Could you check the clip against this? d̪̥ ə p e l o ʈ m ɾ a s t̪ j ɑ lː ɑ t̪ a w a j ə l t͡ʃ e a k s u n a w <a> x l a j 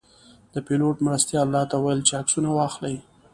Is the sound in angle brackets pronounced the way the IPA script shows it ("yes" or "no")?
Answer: no